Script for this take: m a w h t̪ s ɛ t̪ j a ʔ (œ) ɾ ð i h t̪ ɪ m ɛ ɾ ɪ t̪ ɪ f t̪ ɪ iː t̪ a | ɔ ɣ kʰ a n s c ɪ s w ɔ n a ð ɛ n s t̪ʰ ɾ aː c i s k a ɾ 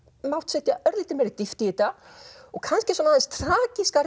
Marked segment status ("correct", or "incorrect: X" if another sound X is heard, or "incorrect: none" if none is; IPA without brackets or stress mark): correct